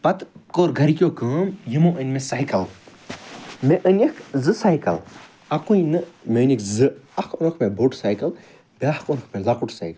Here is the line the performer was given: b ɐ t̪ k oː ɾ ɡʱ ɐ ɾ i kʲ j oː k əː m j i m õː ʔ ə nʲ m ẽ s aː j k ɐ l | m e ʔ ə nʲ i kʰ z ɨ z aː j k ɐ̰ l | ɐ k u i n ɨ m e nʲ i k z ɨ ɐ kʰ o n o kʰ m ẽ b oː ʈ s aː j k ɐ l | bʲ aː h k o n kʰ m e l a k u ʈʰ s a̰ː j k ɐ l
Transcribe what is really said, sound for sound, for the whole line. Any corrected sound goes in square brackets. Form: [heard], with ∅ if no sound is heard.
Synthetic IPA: [p] ɐ t̪ k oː ɾ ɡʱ ɐ ɾ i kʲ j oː k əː m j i m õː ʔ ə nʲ m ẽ s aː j k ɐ l | m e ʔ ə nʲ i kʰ z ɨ [s] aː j k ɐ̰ l | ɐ k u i n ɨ m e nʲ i k z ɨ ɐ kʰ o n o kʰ m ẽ b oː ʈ s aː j k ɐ l | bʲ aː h k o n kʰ m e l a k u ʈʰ s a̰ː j k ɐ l

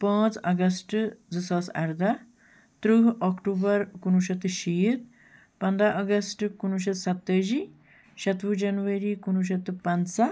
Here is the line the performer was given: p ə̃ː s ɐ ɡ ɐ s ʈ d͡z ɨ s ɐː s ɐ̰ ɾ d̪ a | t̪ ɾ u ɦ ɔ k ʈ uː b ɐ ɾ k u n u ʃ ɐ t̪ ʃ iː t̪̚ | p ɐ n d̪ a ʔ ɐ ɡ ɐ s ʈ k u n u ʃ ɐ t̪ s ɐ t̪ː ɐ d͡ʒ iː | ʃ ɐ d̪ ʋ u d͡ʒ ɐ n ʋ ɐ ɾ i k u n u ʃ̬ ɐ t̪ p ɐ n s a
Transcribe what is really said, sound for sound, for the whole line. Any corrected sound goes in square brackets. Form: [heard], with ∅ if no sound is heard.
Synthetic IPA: p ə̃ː [t͡s] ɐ ɡ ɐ s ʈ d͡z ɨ s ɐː s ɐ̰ ɾ d̪ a | t̪ ɾ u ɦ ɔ k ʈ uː b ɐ ɾ k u n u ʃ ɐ t̪ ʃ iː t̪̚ | p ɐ n d̪ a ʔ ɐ ɡ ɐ s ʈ k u n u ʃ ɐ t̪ s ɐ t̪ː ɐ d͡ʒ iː | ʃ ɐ [t̪] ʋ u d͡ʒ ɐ n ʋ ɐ ɾ i k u n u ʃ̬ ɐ t̪ p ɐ n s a

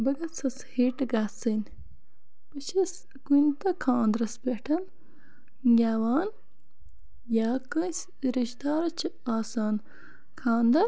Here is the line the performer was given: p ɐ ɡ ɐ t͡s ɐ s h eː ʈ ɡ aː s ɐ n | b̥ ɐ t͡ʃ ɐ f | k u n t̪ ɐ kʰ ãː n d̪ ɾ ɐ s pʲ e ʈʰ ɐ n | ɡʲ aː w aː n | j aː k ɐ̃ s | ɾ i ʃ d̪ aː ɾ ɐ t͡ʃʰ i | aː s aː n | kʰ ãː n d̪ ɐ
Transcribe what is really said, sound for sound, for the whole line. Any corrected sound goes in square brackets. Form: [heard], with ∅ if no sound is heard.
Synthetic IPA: [b] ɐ ɡ ɐ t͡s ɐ s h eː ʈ ɡ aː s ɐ n | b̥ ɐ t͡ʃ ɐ [s] | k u n t̪ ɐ kʰ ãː n d̪ ɾ ɐ s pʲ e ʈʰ ɐ n | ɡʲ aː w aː n | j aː k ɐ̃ s | ɾ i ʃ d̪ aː ɾ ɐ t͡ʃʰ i | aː s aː n | kʰ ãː n d̪ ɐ

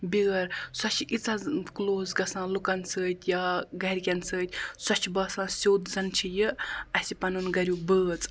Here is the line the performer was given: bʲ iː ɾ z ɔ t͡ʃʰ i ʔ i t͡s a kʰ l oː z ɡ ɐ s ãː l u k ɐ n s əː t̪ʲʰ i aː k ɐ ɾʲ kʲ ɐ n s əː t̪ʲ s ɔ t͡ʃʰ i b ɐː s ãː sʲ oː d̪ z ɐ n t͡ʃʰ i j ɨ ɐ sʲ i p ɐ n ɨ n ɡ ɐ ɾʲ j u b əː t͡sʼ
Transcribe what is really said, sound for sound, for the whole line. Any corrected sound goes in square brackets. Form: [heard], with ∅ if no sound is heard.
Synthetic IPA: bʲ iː ɾ [s] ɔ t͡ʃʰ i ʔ i t͡s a [k] l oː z ɡ ɐ s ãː l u k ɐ n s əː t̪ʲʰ [j] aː [ɡ] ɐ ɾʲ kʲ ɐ n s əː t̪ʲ s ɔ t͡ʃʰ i b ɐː s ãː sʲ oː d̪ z ɐ n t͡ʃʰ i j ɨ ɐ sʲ i p ɐ n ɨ n ɡ ɐ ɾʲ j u b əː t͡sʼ

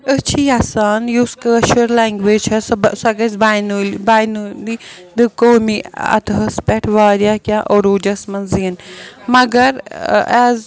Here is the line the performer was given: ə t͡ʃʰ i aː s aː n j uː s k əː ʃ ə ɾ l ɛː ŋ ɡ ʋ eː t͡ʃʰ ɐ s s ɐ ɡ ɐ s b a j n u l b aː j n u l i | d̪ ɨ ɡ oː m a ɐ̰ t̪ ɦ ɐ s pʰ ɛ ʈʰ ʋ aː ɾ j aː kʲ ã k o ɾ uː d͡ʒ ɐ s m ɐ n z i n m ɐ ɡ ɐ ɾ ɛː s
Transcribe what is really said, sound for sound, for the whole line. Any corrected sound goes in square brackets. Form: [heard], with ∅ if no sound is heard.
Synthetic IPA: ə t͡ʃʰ i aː s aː n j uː s k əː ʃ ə ɾ l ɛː ŋ ɡ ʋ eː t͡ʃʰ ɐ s s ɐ ɡ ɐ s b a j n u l b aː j n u l i | d̪ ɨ [k] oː m [i] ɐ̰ t̪ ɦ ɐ s [p] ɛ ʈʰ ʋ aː ɾ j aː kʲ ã [ʔ] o ɾ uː d͡ʒ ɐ s m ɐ n z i n m ɐ ɡ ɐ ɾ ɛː [z]

